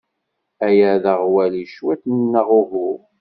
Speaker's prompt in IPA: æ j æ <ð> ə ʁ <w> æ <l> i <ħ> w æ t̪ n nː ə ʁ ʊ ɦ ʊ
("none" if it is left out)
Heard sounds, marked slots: ð, w, l, ʃ

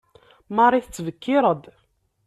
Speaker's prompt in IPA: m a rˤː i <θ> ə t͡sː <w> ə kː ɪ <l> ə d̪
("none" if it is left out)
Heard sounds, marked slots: θ, v, ɾ

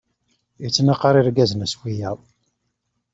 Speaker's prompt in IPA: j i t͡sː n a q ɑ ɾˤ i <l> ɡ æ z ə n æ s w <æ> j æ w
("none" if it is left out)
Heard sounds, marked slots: ɾ, i

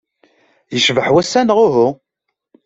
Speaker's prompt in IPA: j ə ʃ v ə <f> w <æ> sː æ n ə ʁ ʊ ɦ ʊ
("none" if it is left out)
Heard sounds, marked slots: ħ, æ

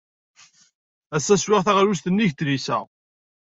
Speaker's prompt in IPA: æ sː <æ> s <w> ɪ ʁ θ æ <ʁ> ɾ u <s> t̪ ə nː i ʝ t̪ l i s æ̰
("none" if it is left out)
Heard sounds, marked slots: æ, w, ʁ, s

